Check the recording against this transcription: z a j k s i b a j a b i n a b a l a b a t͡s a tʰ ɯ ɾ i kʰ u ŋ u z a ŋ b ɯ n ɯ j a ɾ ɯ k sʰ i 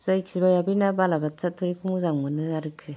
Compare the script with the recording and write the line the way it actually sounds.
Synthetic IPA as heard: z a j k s i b a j a b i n a b a l a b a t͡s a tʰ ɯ ɾ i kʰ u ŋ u z a ŋ m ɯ n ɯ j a ɾ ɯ k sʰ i